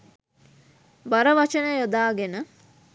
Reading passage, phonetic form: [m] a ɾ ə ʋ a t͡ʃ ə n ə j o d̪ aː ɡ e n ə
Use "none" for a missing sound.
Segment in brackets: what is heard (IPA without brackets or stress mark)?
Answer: b